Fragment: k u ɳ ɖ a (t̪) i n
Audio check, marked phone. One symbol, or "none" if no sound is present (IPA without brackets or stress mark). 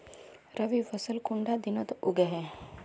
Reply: d̪